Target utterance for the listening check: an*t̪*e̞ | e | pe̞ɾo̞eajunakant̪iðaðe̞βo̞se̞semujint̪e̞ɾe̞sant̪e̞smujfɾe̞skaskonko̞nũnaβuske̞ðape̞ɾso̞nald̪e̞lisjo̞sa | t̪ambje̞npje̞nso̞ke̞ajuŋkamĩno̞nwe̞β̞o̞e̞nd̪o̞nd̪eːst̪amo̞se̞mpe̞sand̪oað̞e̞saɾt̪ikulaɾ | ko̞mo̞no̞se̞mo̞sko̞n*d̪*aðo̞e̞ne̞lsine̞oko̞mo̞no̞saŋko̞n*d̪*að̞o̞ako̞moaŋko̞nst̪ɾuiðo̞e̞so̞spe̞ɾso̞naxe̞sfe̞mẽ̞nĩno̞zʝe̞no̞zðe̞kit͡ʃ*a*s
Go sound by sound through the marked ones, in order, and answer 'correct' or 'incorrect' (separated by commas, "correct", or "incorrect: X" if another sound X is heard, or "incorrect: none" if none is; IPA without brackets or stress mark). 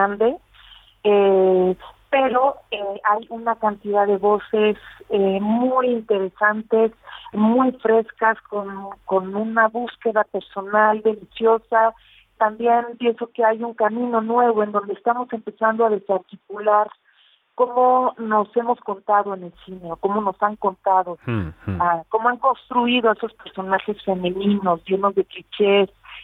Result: incorrect: d̪, incorrect: t̪, incorrect: t̪, incorrect: e